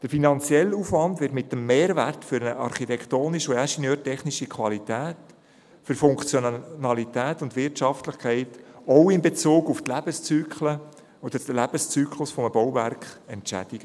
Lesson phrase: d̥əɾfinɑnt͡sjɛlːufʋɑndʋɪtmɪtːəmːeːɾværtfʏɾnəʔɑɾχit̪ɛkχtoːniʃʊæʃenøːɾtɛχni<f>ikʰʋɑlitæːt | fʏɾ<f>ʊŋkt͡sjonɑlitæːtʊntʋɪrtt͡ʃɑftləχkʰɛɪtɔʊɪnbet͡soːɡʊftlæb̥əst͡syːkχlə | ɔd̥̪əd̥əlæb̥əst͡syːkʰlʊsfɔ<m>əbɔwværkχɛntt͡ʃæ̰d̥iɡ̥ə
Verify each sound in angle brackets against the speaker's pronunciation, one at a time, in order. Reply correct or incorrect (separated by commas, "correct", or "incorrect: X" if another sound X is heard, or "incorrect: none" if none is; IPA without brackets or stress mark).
incorrect: ʃ, correct, correct